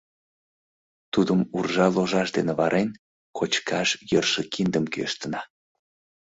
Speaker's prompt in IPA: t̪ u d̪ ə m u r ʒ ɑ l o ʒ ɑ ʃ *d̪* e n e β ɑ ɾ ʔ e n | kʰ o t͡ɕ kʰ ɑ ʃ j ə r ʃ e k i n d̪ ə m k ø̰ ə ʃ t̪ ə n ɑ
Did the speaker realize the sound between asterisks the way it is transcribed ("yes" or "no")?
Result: yes